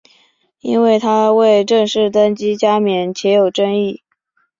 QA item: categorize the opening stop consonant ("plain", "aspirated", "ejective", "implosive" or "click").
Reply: aspirated